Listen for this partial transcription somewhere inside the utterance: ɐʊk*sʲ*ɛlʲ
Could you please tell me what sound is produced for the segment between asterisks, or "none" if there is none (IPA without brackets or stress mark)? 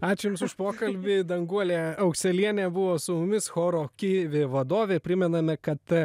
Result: sʲ